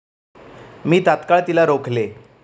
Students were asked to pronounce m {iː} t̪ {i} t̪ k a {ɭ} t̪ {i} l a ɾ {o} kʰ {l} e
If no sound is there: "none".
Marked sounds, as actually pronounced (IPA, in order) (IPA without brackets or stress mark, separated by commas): iː, a, ɭ, i, o, l